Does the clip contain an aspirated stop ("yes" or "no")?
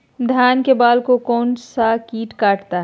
no